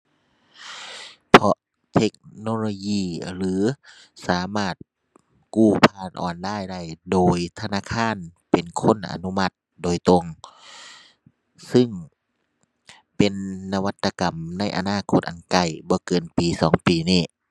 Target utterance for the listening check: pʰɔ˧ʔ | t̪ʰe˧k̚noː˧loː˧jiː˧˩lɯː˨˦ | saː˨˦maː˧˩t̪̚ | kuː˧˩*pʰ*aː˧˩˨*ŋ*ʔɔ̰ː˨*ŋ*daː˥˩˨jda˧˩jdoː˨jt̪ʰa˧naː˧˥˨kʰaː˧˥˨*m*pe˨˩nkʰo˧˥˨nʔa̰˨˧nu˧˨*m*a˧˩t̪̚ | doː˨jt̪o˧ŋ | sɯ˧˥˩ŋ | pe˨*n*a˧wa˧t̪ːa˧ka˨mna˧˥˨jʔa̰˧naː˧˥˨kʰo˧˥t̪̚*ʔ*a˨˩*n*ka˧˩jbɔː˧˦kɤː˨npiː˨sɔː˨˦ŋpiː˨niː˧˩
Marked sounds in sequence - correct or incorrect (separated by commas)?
correct, incorrect, incorrect, incorrect, correct, incorrect, correct, correct